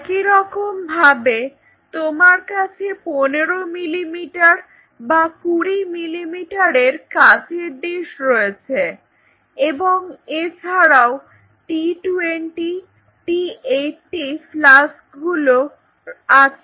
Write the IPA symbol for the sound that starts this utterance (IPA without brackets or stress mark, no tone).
k